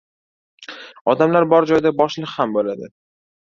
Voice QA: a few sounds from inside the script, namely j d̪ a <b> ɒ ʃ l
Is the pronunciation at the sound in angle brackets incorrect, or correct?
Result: correct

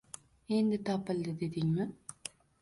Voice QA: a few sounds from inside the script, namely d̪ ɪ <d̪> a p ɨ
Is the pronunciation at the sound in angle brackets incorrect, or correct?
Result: incorrect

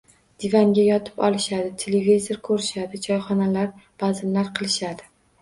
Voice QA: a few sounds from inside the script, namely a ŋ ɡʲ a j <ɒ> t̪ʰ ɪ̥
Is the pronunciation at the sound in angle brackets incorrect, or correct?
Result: correct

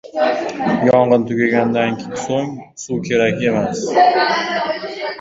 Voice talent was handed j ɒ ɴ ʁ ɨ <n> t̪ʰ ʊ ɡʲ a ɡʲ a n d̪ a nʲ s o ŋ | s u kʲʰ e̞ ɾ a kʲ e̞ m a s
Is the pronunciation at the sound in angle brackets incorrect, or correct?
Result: correct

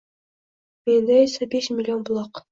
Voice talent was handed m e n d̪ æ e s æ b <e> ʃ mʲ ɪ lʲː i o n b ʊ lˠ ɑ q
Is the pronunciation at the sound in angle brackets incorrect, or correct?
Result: correct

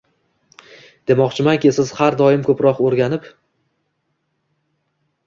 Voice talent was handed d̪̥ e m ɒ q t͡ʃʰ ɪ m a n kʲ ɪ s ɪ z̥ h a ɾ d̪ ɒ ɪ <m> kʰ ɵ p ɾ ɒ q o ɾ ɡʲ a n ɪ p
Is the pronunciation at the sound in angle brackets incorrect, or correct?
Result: correct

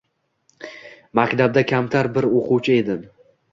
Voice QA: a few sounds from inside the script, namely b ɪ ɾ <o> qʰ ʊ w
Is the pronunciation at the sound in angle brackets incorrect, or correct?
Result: correct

